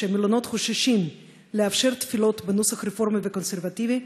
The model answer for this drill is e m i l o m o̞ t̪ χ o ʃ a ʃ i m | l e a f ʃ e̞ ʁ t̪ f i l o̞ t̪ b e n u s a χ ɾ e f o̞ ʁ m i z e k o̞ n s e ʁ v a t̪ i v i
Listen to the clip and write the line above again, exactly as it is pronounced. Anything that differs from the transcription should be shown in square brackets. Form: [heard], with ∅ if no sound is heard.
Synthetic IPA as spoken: e m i l o [n] o̞ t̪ χ o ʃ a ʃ i m | l e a f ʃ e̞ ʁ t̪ f i l o̞ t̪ b e n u s a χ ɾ e f o̞ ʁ m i [v] e k o̞ n s e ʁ v a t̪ i v i